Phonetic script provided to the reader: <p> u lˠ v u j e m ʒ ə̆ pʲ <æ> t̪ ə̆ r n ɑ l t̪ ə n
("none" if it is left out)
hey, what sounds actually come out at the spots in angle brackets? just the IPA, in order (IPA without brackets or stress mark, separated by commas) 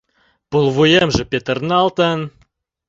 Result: p, e